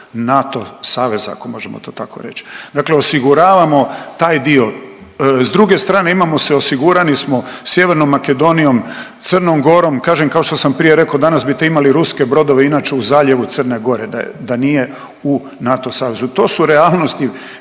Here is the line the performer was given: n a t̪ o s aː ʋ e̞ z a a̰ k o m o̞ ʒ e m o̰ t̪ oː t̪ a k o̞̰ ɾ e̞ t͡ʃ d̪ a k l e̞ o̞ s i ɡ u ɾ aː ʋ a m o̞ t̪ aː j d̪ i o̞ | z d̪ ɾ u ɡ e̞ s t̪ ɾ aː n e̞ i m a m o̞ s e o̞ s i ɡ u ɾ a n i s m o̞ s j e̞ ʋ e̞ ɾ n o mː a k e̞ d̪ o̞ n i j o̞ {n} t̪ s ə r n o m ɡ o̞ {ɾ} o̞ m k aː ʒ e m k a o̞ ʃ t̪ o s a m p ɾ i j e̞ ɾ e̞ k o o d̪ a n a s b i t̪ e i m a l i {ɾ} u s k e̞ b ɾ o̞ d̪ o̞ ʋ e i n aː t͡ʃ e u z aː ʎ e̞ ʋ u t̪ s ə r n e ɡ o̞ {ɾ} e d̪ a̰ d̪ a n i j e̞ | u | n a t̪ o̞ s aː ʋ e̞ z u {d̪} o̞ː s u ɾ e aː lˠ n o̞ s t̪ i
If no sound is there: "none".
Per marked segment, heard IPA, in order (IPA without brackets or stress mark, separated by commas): m, ɾ, ɾ, ɾ, t̪